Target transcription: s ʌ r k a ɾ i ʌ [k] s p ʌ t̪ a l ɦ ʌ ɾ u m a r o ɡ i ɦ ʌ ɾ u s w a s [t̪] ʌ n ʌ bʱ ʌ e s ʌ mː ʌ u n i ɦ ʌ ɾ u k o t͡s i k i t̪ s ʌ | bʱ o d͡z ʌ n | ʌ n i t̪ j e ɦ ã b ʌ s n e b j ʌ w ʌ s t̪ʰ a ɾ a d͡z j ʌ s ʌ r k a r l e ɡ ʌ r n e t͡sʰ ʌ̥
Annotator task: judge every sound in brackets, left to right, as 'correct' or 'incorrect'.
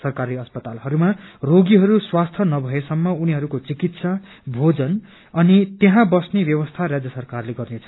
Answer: incorrect, incorrect

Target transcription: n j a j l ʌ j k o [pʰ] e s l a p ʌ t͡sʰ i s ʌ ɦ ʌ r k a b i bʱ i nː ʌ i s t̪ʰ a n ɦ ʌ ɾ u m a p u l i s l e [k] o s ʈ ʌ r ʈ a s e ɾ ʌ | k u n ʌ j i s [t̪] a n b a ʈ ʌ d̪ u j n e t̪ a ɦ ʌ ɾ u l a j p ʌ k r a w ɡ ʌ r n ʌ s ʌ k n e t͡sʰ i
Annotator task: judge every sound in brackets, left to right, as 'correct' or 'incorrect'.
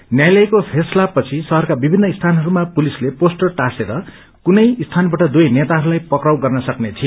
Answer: correct, incorrect, incorrect

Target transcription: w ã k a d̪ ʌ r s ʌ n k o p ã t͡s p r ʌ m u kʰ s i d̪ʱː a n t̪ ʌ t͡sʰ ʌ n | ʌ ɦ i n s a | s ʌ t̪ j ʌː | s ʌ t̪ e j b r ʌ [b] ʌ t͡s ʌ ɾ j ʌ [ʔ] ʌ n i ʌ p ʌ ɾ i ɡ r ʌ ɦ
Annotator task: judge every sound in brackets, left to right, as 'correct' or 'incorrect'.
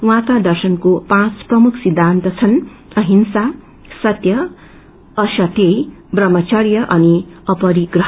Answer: incorrect, correct

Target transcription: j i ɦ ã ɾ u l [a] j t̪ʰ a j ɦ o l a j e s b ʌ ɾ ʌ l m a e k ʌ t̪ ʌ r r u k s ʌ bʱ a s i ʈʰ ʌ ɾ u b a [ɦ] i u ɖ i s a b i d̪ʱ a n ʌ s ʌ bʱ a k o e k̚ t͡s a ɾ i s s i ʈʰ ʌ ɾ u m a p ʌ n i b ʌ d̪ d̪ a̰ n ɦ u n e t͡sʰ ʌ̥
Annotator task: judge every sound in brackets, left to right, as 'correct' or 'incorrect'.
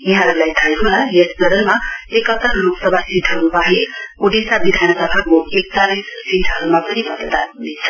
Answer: correct, correct

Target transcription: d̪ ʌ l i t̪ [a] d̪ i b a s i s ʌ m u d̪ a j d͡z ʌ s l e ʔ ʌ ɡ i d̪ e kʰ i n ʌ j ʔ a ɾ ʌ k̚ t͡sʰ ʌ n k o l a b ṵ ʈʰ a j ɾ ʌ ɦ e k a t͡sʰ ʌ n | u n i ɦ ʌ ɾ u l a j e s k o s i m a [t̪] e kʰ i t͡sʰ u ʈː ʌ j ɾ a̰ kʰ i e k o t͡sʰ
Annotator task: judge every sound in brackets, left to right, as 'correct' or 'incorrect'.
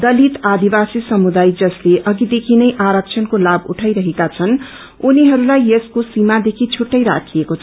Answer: correct, incorrect

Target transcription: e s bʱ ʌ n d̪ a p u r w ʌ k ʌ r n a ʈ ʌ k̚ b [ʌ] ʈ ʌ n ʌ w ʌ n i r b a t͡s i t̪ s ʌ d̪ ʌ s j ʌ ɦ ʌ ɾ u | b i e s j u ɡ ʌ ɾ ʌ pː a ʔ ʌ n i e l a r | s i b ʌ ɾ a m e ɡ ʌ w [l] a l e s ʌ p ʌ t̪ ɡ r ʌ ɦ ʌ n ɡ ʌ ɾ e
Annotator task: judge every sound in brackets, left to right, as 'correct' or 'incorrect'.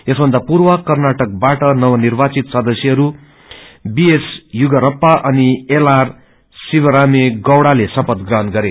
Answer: incorrect, incorrect

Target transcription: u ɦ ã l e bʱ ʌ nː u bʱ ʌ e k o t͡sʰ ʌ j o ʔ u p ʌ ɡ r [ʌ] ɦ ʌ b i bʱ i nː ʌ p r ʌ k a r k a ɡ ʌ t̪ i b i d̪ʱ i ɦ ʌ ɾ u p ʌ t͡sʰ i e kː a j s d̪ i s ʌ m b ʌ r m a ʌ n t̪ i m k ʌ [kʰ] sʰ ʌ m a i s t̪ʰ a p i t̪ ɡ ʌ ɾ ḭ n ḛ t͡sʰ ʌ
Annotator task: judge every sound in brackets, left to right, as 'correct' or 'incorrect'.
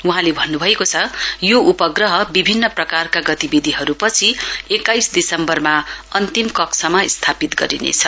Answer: correct, incorrect

